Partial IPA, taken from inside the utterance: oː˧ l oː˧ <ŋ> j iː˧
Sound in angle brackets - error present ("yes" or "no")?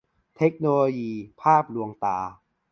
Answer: yes